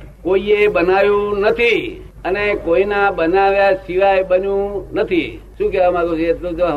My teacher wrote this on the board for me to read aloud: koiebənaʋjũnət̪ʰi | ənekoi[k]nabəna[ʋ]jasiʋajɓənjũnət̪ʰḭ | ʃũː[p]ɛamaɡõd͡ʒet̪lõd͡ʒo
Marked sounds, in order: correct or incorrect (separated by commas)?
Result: incorrect, correct, incorrect